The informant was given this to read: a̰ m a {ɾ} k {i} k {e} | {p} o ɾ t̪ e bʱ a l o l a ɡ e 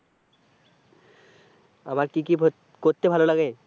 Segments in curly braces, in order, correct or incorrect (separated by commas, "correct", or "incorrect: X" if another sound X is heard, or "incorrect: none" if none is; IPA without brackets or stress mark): correct, correct, incorrect: i, incorrect: k